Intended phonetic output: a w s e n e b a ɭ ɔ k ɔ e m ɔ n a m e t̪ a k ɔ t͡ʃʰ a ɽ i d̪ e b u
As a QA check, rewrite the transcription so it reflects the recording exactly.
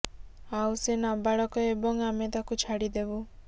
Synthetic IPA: a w s e n a b a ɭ ɔ k ɔ e b ɔ ŋ a m e t̪ a k u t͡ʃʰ a ɽ i d̪ e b u